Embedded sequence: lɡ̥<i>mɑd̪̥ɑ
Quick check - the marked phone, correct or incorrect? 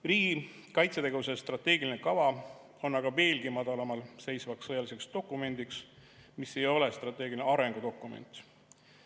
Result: correct